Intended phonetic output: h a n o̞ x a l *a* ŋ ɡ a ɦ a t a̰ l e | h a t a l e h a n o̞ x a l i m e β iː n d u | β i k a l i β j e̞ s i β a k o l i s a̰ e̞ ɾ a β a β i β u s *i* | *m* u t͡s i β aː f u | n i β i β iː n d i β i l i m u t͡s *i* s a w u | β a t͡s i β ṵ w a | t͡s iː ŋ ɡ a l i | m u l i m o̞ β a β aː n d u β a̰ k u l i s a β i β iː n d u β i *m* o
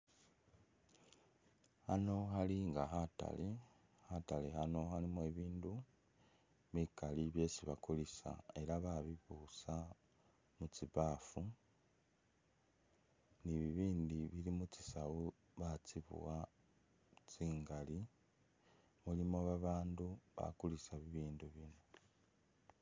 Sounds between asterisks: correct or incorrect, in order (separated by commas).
incorrect, incorrect, correct, correct, incorrect